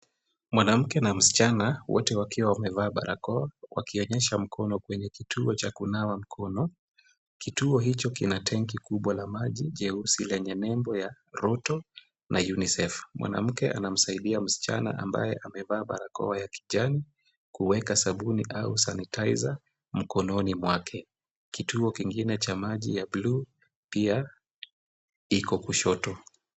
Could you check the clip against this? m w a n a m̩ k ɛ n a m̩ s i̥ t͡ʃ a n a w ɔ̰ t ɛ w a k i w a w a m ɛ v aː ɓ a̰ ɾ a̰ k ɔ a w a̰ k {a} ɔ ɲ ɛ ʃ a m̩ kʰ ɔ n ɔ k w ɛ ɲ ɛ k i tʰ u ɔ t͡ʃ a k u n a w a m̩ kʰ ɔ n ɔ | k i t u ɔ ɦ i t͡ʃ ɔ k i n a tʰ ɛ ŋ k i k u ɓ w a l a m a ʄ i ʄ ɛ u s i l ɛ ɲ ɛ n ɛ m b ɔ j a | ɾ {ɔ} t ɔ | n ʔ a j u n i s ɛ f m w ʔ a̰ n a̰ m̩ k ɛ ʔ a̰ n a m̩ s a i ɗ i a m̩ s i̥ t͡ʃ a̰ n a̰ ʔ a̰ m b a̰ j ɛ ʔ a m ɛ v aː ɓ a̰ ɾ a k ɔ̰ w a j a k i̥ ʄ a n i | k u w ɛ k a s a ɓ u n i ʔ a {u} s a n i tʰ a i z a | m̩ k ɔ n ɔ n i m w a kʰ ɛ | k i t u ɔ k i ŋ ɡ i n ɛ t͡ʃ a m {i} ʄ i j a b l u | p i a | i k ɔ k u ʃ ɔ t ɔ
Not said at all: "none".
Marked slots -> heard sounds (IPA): i, ɔ, u, a

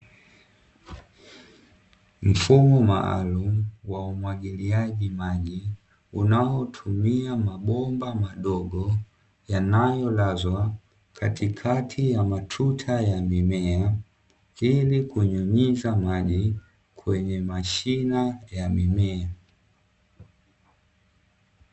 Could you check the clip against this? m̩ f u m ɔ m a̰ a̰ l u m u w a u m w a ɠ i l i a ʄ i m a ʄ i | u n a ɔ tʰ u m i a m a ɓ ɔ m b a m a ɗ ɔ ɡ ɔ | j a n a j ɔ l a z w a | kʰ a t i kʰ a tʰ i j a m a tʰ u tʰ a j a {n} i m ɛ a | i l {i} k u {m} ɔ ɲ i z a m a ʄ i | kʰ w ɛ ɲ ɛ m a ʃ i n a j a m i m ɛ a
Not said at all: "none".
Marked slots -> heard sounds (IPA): m, i, ɲ

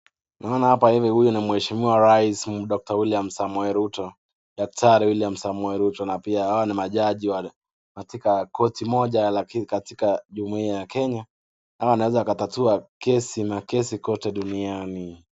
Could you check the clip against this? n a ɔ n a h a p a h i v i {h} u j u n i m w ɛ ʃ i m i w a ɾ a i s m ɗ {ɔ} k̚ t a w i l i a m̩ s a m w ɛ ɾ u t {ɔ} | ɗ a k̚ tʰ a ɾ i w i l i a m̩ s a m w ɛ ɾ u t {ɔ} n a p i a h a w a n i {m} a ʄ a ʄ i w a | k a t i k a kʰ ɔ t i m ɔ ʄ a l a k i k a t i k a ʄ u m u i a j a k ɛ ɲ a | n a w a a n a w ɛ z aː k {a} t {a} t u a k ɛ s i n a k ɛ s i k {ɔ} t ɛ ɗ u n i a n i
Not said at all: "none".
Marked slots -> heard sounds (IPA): h, ɔ, ɔ, ɔ, m, a, a, ɔ

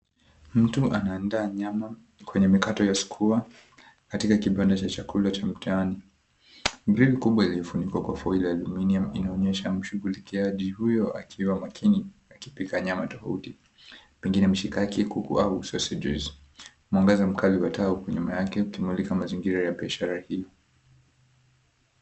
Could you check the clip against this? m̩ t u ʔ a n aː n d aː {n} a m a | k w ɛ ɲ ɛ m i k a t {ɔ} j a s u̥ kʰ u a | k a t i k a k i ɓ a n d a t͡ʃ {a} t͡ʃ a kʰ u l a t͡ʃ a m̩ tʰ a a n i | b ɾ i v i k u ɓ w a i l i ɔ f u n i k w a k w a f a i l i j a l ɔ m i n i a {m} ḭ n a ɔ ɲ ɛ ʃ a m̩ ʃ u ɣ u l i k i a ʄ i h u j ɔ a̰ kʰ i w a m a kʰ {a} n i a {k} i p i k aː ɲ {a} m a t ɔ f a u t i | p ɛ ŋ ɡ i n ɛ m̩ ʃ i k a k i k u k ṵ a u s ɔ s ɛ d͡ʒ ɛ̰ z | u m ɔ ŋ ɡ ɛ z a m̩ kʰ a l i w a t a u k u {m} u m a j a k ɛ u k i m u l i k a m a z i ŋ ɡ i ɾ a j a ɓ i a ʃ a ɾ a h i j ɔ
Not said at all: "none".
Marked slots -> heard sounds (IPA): ɲ, ɔ, a, m, i, k, a, ɲ

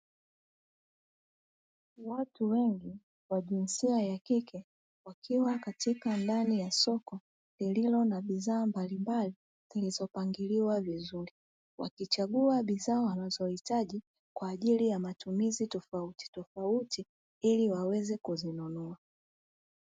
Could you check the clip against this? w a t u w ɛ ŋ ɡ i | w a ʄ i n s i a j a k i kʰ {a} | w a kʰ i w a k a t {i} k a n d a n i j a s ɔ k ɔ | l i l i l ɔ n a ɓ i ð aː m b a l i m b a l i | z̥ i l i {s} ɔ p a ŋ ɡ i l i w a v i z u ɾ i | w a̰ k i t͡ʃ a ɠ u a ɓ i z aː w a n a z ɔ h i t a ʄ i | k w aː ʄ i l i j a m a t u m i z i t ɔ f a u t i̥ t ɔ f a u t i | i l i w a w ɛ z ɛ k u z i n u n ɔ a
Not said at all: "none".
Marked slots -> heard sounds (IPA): ɛ, i, z

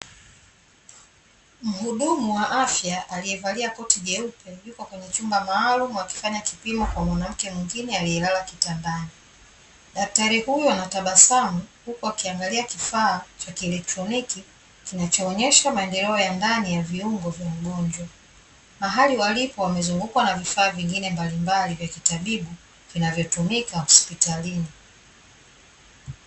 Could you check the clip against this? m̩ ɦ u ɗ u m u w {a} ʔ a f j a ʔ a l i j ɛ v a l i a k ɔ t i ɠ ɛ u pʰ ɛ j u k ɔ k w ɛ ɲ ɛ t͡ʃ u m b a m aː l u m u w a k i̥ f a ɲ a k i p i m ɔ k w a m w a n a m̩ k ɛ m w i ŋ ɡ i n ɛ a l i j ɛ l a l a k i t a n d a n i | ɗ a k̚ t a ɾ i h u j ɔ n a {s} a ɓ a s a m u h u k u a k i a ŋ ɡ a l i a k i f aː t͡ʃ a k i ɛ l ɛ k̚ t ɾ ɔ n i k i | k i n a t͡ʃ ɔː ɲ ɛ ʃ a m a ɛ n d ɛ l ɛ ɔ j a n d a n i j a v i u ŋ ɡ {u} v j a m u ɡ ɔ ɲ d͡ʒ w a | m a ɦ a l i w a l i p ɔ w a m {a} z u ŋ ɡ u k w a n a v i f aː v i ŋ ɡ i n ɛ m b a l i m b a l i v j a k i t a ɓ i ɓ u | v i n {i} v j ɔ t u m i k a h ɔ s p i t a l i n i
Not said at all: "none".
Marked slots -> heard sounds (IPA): a, t, ɔ, ɛ, a

